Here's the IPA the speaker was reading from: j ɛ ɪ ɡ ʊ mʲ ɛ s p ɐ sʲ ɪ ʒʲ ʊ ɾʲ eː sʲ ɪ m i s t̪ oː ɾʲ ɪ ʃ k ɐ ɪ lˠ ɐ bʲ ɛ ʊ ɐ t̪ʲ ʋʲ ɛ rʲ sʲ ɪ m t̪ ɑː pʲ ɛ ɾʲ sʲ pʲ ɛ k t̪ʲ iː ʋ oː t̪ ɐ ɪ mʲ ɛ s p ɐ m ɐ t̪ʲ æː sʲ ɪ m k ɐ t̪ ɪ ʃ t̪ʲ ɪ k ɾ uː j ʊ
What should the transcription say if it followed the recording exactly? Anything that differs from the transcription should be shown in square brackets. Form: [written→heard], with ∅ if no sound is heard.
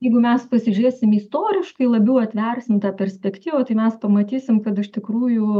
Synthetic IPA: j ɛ ɪ ɡ ʊ mʲ ɛ s p ɐ sʲ ɪ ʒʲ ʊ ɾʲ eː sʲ ɪ m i s t̪ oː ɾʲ ɪ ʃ k ɐ ɪ lˠ ɐ bʲ ɛ ʊ ɐ t̪ʲ ʋʲ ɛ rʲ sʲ ɪ m t̪ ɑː pʲ ɛ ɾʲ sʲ pʲ ɛ k t̪ʲ iː ʋ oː t̪ ɐ ɪ mʲ ɛ s p ɐ m ɐ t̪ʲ [æː→iː] sʲ ɪ m k ɐ t̪ ɪ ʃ t̪ʲ ɪ k ɾ uː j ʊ

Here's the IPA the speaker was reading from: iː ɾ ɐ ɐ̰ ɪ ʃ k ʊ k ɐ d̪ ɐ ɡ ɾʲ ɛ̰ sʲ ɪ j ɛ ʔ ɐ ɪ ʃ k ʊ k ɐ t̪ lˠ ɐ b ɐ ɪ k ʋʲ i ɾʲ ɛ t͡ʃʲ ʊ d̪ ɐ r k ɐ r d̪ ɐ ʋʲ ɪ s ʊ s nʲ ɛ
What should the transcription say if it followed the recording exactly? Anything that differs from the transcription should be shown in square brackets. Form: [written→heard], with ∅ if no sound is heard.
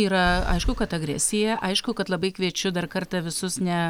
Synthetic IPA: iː ɾ ɐ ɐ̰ ɪ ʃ k ʊ k ɐ [d̪→t̪] ɐ ɡ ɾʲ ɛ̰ sʲ ɪ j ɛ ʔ ɐ ɪ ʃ k ʊ k ɐ t̪ lˠ ɐ b ɐ ɪ k ʋʲ i [ɾʲ→∅] ɛ t͡ʃʲ ʊ d̪ ɐ r k ɐ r [d̪→t̪] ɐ ʋʲ ɪ s ʊ s nʲ ɛ

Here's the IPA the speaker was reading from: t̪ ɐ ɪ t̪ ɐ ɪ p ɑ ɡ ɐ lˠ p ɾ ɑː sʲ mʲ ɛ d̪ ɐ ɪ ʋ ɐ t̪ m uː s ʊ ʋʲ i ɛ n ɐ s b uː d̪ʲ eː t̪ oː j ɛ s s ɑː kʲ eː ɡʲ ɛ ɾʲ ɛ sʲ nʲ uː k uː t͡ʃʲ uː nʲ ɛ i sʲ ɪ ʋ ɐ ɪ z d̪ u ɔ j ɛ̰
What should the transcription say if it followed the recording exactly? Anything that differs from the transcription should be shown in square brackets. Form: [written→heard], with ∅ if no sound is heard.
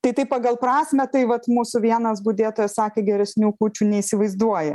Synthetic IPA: t̪ ɐ ɪ t̪ ɐ ɪ p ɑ ɡ ɐ lˠ p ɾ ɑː sʲ mʲ ɛ [d̪→t̪] ɐ ɪ ʋ ɐ t̪ m uː s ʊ ʋʲ i ɛ n ɐ s b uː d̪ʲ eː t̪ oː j ɛ s s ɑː kʲ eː ɡʲ ɛ ɾʲ ɛ sʲ nʲ uː k uː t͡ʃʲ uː nʲ ɛ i sʲ ɪ ʋ ɐ ɪ z d̪ u ɔ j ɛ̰

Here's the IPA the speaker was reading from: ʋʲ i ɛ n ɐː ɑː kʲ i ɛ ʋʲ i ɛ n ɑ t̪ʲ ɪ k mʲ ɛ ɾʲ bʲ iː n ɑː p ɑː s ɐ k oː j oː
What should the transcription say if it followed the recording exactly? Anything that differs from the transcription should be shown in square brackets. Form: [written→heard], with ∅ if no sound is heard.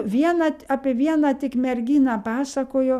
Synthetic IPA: ʋʲ i ɛ n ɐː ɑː [kʲ→pʲ] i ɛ ʋʲ i ɛ n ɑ t̪ʲ ɪ k mʲ ɛ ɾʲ [bʲ→ɡʲ] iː n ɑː p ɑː s ɐ k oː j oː

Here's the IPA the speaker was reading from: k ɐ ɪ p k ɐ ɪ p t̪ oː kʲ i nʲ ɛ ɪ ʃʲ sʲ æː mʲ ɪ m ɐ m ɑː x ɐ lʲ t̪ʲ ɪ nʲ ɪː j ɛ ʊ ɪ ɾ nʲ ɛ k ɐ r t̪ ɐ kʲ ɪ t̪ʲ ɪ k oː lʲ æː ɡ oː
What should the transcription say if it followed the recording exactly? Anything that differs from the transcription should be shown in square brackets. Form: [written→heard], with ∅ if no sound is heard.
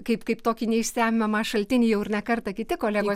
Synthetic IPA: k ɐ ɪ p k ɐ ɪ p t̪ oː kʲ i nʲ ɛ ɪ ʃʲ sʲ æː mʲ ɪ m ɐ m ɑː [x→ʃ] ɐ lʲ t̪ʲ ɪ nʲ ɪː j ɛ ʊ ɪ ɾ nʲ ɛ k ɐ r t̪ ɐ kʲ ɪ t̪ʲ ɪ k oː lʲ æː ɡ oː

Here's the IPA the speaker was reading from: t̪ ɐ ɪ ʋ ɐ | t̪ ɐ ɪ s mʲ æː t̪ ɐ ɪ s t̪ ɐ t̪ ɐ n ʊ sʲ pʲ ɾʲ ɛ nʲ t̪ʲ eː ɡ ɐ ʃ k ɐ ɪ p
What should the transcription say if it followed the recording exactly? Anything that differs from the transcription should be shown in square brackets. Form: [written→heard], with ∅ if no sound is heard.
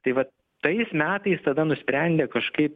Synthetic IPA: t̪ ɐ ɪ ʋ ɐ | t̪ ɐ ɪ s mʲ æː t̪ ɐ ɪ s t̪ ɐ [t̪→d̪] ɐ n ʊ sʲ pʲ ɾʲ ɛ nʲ [t̪ʲ→d̪ʲ] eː [ɡ→k] ɐ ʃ k ɐ ɪ p

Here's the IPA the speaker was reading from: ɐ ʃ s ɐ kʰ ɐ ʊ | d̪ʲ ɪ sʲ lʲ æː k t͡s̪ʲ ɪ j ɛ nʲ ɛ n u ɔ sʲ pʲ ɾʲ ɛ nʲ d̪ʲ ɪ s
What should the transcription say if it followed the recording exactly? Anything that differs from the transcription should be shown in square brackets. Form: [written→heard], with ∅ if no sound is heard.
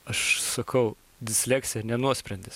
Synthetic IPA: ɐ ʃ s ɐ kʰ ɐ ʊ | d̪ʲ ɪ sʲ lʲ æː k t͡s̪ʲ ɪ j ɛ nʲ ɛ n u ɔ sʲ pʲ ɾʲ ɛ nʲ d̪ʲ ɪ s

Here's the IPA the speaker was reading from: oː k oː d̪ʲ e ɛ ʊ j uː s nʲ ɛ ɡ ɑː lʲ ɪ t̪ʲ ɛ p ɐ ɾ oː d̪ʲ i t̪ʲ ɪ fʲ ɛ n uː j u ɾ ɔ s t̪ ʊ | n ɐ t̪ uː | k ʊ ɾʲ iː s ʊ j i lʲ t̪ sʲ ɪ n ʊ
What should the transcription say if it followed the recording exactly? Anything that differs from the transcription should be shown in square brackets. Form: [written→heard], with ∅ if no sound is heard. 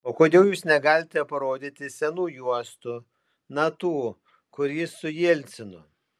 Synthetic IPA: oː k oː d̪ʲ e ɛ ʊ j uː s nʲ ɛ ɡ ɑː lʲ ɪ t̪ʲ ɛ p ɐ ɾ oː d̪ʲ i t̪ʲ ɪ [fʲ→sʲ] ɛ n uː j u [ɾ→∅] ɔ s t̪ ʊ | n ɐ t̪ uː | k ʊ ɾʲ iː s ʊ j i lʲ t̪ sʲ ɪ n ʊ

